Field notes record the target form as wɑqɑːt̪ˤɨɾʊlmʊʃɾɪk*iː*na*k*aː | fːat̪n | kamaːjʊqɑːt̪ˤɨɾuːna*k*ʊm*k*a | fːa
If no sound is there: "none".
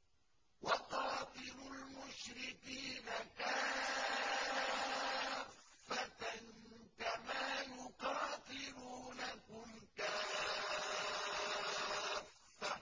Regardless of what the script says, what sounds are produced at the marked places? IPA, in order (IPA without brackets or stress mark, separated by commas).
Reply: iː, k, k, k